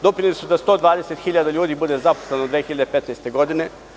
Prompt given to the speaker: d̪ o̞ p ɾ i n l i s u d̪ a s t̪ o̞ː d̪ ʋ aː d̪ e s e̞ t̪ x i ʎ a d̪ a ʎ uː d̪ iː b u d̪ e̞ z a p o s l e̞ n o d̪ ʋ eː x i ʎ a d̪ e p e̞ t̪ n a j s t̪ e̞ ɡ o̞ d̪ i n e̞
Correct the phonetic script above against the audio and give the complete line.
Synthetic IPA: d̪ o̞ p ɾ i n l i s u d̪ a s t̪ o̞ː d̪ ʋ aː d̪ e s e̞ t̪ x i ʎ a d̪ a ʎ uː d̪ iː b u d̪ e̞ z a p o s l e̞ n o d̪ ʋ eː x i ʎ a d̪ e p e̞ t̪ n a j s t̪ e̞ ɡ o̞ d̪ i n e̞

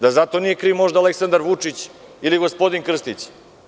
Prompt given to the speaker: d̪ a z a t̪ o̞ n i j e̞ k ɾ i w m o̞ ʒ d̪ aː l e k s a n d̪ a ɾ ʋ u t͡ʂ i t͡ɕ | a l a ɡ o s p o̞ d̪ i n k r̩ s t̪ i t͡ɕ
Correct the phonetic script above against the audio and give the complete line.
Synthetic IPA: d̪ a z a t̪ o̞ n i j e̞ k ɾ i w m o̞ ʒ d̪ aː l e k s a n d̪ a ɾ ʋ u t͡ʂ i t͡ɕ | i l i ɡ o s p o̞ d̪ i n k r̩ s t̪ i t͡ɕ

